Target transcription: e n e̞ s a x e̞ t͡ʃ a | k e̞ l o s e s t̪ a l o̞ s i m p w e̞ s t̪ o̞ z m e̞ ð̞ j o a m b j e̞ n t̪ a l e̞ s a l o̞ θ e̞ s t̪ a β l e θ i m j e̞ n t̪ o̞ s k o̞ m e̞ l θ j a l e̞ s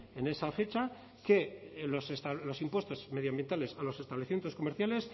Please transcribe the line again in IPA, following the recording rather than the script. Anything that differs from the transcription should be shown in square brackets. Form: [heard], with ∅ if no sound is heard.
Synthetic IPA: e n e̞ s a [f] e̞ t͡ʃ a | k e̞ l o s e s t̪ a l o̞ s i m p w e̞ s t̪ o̞ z m e̞ ð̞ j o a m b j e̞ n t̪ a l e̞ s a l o̞ [s] e̞ s t̪ a β l e θ i m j e̞ n t̪ o̞ s k o̞ m e̞ [ɾ] θ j a l e̞ s

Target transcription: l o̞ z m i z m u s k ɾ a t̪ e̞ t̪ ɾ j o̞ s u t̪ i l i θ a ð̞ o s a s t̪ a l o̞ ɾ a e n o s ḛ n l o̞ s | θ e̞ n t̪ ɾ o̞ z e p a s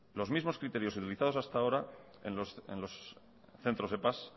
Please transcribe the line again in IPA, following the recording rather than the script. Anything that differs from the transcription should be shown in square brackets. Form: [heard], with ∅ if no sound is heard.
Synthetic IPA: l o̞ z m i z m [o] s k ɾ [i] t̪ e̞ [∅] ɾ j o̞ s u t̪ i l i θ a ð̞ o s a s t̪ a [∅] o̞ ɾ a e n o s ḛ n l o̞ s | θ e̞ n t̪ ɾ o̞ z e p a s

